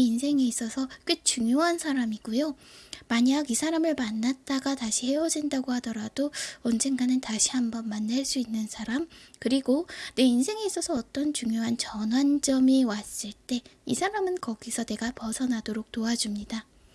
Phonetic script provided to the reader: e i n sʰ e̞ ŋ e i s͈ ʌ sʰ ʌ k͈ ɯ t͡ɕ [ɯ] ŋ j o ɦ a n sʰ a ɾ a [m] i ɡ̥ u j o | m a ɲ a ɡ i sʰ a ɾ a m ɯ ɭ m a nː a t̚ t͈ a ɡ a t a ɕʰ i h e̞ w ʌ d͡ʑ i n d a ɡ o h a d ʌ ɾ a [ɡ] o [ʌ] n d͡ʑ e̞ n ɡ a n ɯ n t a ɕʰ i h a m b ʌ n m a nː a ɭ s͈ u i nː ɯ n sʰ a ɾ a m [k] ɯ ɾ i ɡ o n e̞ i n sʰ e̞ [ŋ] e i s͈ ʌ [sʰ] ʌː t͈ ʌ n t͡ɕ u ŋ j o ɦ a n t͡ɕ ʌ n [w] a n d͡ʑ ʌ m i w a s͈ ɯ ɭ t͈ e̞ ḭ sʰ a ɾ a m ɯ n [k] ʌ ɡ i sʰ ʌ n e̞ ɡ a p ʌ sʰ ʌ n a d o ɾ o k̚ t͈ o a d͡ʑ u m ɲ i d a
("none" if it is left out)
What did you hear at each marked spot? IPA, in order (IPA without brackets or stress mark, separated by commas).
u, m, d, ʌ, k, ŋ, sʰ, w, k